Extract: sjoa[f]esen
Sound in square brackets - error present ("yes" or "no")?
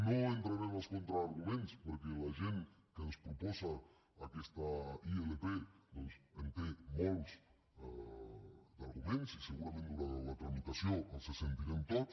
yes